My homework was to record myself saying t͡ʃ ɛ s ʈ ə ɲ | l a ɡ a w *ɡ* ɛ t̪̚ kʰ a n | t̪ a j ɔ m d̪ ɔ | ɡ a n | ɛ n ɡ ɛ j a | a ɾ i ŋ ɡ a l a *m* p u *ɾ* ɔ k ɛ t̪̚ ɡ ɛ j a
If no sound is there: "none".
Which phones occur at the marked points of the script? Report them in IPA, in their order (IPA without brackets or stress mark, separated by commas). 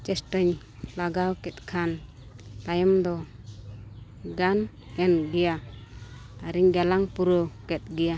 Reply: k, ŋ, ɾ